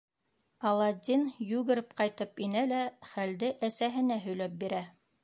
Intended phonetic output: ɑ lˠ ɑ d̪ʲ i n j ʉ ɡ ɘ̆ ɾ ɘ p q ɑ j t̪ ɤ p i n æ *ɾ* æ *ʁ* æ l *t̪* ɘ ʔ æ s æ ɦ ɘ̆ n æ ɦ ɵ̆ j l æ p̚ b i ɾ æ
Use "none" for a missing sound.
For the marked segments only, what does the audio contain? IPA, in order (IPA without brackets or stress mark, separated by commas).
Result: l, χ, d̪